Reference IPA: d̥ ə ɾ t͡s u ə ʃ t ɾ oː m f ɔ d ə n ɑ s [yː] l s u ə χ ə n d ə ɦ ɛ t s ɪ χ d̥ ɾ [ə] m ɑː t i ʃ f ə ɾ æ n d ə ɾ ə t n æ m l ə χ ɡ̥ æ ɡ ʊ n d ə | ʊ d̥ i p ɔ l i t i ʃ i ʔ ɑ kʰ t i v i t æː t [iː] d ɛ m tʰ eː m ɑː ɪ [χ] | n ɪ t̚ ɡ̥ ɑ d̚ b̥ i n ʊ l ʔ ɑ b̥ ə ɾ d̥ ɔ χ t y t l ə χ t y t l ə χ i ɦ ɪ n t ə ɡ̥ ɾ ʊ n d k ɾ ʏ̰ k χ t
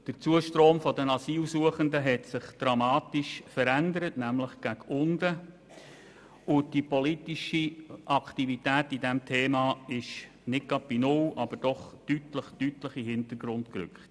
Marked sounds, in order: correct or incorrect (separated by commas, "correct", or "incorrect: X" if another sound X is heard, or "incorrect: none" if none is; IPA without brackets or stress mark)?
incorrect: iː, incorrect: ɑ, incorrect: i, incorrect: ʃ